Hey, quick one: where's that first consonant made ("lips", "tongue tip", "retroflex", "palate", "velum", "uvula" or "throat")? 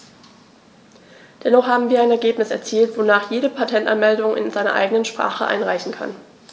tongue tip